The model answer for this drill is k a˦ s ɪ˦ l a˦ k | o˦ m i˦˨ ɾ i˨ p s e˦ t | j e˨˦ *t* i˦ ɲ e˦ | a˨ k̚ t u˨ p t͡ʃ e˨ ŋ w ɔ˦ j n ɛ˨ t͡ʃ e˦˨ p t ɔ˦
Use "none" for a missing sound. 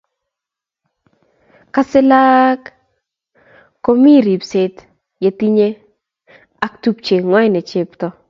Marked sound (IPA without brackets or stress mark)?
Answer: t